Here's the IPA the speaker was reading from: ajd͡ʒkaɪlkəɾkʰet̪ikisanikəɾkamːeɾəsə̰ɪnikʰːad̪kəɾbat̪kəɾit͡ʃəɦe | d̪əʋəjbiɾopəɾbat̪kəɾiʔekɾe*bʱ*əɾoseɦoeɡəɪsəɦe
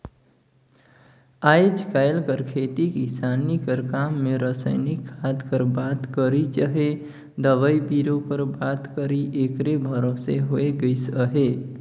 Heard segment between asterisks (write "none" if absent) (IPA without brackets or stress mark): bʱ